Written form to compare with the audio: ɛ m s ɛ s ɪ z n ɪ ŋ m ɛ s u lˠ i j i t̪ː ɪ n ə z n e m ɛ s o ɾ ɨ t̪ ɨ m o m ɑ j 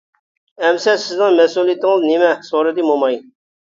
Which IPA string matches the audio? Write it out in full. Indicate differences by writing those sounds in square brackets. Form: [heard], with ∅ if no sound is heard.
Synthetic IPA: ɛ m s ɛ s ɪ z n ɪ ŋ m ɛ s u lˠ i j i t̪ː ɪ [ŋ] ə z n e m ɛ s o ɾ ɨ [d̪] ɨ m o m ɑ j